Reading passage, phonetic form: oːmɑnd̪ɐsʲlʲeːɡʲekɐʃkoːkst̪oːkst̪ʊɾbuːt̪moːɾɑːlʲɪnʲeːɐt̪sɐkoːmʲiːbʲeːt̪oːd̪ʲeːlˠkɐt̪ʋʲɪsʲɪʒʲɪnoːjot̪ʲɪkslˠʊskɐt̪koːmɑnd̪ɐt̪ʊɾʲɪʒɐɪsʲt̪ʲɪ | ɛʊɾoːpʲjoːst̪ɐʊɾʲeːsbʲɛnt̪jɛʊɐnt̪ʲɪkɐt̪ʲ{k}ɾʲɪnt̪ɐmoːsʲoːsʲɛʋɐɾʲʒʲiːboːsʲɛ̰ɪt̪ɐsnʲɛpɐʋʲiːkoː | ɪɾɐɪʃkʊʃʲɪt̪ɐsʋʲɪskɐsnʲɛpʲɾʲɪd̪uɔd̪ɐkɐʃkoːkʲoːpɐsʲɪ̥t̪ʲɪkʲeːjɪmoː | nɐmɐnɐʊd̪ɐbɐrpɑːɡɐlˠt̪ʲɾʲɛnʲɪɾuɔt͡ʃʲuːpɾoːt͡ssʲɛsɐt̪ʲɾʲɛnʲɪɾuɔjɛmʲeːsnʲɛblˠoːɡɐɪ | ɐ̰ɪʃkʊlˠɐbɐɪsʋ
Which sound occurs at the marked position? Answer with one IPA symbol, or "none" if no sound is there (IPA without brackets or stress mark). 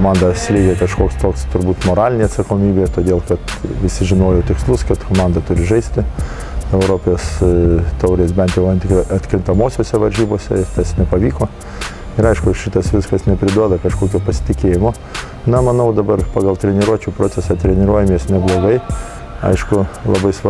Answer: k